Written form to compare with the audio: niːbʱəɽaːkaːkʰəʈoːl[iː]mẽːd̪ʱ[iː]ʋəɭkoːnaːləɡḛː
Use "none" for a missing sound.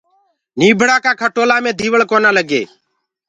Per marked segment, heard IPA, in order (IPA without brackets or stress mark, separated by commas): aː, iː